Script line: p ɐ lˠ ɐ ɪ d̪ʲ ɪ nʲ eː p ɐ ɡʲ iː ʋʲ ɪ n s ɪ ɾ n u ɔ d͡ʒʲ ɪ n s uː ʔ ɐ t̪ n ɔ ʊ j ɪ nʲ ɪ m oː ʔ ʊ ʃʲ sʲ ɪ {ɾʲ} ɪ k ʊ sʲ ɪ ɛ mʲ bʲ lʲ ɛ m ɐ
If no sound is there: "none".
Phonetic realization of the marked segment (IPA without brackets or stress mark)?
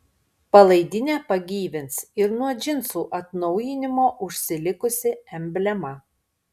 lʲ